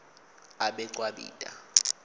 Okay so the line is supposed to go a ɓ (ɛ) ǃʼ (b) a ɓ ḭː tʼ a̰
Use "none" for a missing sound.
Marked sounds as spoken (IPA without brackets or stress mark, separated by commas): ɛ, w